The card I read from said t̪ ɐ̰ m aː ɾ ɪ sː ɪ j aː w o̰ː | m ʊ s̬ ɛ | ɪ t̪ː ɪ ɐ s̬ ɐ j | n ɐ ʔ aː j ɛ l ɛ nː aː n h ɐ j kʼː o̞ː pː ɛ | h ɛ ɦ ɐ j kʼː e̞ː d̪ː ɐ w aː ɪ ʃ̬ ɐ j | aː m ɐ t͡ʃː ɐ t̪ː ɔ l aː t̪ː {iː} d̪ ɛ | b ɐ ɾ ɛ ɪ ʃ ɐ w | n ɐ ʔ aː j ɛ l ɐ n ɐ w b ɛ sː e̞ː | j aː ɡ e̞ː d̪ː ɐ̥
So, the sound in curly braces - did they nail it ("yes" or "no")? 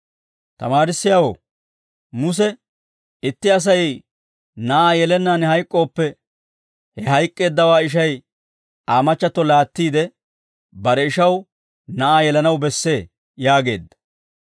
yes